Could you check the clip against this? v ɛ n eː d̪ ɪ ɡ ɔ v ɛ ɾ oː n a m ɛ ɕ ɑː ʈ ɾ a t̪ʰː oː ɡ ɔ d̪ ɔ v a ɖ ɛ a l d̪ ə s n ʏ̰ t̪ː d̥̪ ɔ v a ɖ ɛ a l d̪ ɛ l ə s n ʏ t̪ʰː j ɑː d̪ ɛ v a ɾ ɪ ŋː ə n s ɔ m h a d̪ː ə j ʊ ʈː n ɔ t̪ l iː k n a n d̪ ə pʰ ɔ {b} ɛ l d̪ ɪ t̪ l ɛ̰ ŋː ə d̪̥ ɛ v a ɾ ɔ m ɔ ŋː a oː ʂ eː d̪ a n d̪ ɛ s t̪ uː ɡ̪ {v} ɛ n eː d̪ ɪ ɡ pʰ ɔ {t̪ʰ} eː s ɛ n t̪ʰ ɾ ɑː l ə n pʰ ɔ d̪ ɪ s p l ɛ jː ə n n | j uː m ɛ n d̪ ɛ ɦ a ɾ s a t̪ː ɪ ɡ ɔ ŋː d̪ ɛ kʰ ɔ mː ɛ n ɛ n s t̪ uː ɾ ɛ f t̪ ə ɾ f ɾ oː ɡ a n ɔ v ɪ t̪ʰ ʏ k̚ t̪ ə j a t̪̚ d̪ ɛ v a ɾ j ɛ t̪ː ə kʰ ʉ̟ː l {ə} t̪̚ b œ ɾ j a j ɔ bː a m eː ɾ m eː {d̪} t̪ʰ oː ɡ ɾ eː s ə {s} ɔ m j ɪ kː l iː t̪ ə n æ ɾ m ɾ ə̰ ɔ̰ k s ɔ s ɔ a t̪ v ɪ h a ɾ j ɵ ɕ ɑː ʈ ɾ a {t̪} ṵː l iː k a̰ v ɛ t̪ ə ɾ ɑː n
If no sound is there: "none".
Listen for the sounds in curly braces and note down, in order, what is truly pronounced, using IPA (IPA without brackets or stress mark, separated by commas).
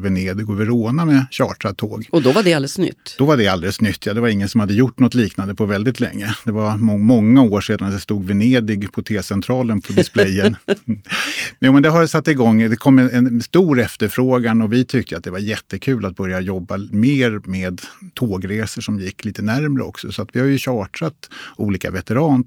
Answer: v, v, t̪ʰ, a, d̪, ʂ, t̪